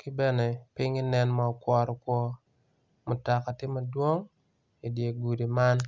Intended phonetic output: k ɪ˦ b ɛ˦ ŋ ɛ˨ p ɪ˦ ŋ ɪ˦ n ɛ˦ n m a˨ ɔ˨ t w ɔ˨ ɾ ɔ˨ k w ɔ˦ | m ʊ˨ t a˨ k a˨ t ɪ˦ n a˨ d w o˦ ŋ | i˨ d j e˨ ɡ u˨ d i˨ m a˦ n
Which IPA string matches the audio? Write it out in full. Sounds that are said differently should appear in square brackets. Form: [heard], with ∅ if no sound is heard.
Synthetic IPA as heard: k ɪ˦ b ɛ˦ [n] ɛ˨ p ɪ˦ ŋ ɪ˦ n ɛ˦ n m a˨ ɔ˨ [k] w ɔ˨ ɾ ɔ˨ k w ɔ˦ | m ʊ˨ t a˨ k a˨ t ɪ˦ [m] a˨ d w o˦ ŋ | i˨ d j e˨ ɡ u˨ d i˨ m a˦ n